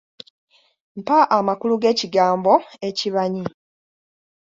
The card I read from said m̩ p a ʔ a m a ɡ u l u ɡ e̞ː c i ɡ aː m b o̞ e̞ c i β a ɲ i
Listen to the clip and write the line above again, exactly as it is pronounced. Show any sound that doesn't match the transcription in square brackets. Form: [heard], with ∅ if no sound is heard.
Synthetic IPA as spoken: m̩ p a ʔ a m a [k] u l u ɡ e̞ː c i ɡ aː m b o̞ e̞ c i β a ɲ i